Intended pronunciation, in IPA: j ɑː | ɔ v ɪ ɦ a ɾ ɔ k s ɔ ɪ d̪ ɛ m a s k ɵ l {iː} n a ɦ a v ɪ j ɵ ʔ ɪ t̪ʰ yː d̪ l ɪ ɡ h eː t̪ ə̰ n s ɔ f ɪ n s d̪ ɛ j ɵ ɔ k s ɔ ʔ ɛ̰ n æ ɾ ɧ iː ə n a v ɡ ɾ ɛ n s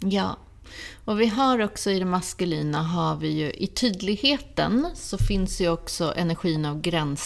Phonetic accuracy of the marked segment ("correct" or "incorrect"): correct